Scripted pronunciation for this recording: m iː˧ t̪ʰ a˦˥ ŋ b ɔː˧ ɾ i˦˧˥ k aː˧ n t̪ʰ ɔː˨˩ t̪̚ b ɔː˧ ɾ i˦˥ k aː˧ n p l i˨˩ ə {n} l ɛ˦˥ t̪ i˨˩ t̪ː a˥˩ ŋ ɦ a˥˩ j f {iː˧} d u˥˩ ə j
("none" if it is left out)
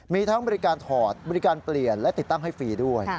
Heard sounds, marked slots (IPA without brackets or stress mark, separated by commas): n, iː˧